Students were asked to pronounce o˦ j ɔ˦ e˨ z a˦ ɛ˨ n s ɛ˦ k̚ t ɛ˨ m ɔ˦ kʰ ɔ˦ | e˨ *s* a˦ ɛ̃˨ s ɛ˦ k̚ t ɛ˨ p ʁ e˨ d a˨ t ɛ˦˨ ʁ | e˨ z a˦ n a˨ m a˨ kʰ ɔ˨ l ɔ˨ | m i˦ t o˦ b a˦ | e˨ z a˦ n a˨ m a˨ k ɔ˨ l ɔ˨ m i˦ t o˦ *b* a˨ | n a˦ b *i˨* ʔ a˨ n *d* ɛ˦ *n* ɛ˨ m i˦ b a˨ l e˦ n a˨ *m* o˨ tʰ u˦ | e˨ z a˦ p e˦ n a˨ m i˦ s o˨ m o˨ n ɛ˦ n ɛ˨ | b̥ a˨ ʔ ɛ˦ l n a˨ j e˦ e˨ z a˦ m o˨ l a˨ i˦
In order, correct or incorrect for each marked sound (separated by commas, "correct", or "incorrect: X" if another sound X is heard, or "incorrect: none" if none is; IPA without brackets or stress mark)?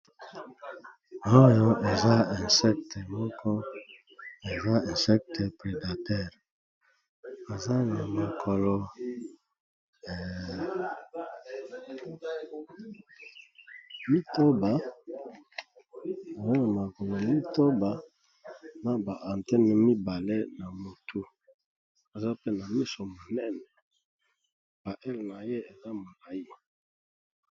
incorrect: z, correct, incorrect: a˨, incorrect: t, correct, correct